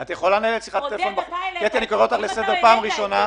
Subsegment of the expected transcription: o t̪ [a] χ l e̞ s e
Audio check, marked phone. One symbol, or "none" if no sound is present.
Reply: a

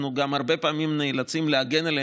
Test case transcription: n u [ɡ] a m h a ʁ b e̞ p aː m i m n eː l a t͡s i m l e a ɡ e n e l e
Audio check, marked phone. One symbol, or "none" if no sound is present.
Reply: ɡ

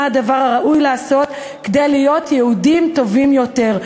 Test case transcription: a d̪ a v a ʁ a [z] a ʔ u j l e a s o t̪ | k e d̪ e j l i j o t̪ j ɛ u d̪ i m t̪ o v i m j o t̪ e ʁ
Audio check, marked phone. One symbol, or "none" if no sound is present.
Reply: ʁ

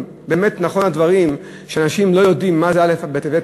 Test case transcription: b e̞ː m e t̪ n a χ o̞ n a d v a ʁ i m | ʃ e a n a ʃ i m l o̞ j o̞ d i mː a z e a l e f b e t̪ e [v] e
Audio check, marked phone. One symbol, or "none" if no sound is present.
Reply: v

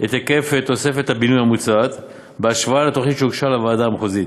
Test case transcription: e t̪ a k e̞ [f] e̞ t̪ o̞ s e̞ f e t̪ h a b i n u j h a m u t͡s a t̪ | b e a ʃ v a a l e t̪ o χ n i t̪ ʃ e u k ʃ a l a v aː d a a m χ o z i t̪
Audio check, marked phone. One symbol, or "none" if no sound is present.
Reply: f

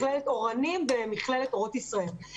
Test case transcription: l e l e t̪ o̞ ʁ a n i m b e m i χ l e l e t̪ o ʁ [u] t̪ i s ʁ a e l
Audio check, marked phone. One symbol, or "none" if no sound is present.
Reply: o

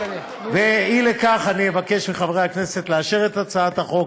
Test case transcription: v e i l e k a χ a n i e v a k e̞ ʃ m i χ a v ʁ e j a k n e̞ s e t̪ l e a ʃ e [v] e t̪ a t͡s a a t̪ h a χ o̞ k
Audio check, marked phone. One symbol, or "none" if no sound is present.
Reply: ʁ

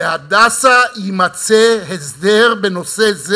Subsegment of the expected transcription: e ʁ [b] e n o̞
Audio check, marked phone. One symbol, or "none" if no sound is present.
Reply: b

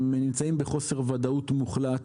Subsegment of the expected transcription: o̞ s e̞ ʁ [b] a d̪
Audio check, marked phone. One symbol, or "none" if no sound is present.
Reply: v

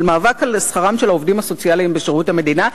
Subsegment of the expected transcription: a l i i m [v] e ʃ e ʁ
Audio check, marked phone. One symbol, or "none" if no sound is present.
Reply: b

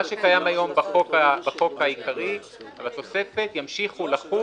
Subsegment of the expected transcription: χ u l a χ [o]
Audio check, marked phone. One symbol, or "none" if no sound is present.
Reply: u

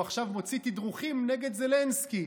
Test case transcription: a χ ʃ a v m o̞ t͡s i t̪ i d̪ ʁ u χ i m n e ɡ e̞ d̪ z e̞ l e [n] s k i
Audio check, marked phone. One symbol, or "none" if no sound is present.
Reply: n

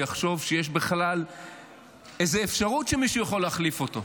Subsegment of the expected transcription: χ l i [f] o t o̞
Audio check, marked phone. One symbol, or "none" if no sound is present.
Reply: f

